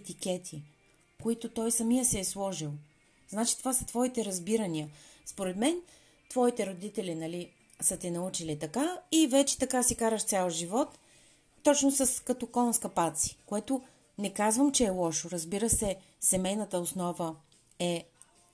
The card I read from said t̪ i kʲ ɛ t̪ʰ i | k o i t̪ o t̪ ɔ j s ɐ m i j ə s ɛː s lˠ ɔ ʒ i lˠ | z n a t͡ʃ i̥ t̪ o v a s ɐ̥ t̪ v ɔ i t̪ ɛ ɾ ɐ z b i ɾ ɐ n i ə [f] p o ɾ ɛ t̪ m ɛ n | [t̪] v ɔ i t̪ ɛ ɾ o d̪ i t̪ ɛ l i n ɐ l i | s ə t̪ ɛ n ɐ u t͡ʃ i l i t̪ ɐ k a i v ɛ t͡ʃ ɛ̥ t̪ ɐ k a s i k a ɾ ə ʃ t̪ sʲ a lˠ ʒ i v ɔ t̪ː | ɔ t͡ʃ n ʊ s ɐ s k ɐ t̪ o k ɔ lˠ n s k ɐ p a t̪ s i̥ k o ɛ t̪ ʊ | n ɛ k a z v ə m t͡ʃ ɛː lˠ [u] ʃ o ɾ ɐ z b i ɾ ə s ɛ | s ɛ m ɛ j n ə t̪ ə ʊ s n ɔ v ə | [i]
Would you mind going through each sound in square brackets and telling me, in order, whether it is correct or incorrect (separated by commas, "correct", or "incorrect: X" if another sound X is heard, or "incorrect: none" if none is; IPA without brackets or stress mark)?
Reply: incorrect: s, correct, incorrect: ɔ, incorrect: ɛ